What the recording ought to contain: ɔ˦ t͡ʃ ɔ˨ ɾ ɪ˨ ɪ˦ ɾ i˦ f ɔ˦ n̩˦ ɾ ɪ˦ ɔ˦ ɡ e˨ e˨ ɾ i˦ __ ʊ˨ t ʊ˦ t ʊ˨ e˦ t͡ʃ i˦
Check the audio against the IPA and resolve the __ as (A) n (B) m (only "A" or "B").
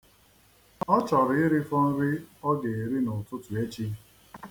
A